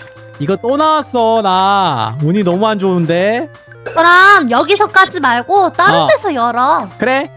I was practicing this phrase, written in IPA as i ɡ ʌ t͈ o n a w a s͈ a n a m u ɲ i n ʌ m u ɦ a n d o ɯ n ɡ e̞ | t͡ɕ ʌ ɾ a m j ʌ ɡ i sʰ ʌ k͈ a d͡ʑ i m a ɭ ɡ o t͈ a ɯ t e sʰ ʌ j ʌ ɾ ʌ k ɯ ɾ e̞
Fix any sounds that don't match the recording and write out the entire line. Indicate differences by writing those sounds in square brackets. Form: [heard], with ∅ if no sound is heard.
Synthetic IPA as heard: i ɡ ʌ t͈ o n a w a s͈ [ʌ] n a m u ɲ i n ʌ m u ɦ a n [d͡ʑ] o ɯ n [d] e̞ | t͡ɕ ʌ ɾ a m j ʌ ɡ i sʰ ʌ k͈ a d͡ʑ i m a ɭ ɡ o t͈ a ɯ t e sʰ ʌ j ʌ ɾ ʌ k ɯ ɾ e̞

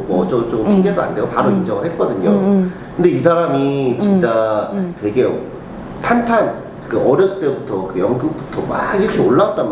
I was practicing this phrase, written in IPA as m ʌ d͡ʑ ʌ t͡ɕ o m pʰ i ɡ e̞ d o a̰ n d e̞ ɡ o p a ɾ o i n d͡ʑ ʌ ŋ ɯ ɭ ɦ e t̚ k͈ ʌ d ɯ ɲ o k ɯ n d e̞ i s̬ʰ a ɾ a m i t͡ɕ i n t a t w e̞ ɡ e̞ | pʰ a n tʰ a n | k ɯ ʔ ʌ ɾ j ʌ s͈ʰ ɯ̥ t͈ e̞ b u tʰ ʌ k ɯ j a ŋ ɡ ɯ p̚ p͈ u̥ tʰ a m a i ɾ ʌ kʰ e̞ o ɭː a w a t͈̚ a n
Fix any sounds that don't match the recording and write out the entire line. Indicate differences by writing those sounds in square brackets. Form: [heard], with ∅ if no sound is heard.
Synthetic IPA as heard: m ʌ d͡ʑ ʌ t͡ɕ o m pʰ i ɡ e̞ d o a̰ n d e̞ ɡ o p a ɾ o i n d͡ʑ ʌ ŋ ɯ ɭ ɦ e t̚ k͈ ʌ d ɯ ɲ o k ɯ n d e̞ i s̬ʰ a ɾ a m i t͡ɕ i n [t͡ɕ͈] a t w e̞ ɡ e̞ | [tʰ] a n tʰ a n | k ɯ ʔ ʌ ɾ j ʌ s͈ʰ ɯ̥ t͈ e̞ b u tʰ ʌ k ɯ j [ʌ] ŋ ɡ ɯ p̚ p͈ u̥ tʰ [ʌ] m a i ɾ ʌ kʰ e̞ o ɭː a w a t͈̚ a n

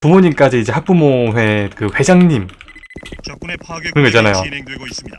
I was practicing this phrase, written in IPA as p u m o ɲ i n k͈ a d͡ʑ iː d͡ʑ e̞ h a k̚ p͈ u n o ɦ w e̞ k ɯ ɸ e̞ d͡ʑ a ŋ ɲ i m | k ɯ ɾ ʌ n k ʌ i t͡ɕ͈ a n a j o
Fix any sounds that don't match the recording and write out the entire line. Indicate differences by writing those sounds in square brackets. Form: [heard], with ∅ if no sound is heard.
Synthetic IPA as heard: p u m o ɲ i [m] k͈ a d͡ʑ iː d͡ʑ e̞ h a k̚ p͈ u [m] o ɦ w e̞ k ɯ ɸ e̞ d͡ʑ a ŋ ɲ i m | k ɯ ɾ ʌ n [ɡ] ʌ i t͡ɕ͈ a n a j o

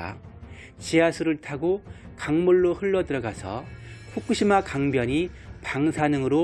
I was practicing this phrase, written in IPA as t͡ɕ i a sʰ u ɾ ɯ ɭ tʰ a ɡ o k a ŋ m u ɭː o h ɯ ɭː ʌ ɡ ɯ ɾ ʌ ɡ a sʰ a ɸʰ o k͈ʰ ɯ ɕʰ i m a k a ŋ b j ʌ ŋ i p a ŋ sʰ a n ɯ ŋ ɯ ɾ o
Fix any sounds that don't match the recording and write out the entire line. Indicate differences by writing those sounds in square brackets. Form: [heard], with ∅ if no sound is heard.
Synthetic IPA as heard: t͡ɕ i a sʰ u ɾ ɯ ɭ tʰ a ɡ o k a ŋ m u ɭː o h ɯ ɭː ʌ [d] ɯ ɾ ʌ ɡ a sʰ [ʌ] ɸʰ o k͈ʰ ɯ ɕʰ i m a k a ŋ b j ʌ [ɲ] i p a ŋ sʰ a n ɯ ŋ ɯ ɾ o

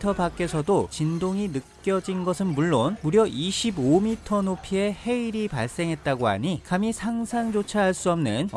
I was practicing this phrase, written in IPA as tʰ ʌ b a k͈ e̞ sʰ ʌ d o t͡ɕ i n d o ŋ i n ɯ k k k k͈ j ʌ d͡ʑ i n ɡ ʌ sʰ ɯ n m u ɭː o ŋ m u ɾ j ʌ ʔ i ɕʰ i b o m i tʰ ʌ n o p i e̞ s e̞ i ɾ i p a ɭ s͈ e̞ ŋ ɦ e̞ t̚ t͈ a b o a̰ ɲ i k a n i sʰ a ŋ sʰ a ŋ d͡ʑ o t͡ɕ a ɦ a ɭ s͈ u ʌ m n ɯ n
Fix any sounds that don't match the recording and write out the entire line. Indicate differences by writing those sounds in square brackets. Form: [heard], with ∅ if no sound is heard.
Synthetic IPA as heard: tʰ ʌ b a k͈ e̞ sʰ ʌ d o t͡ɕ i n d o ŋ i n ɯ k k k k͈ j ʌ d͡ʑ i n ɡ ʌ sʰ ɯ n m u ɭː o [n] m u ɾ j ʌ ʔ i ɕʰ i b o m i tʰ ʌ n o [pʰ] i e̞ [h] e̞ i ɾ i p a ɭ s͈ e̞ ŋ ɦ e̞ t̚ t͈ a [ɡ] o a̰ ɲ i k a [m] i sʰ a ŋ sʰ a ŋ d͡ʑ o [t͡ɕʰ] a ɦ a ɭ s͈ u ʌ m n ɯ n

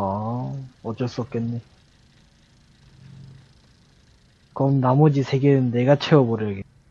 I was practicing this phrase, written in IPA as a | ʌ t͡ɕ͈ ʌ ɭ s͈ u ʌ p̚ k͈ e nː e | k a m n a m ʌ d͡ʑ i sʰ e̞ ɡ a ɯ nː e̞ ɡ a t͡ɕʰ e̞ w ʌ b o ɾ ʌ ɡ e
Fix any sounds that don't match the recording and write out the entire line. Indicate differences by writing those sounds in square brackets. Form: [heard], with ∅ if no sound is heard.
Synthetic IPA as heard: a | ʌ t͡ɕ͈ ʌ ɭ s͈ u ʌ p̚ k͈ e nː e | k [ʌ] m n a m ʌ d͡ʑ i sʰ e̞ ɡ [e] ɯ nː e̞ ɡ a t͡ɕʰ e̞ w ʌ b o ɾ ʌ ɡ e

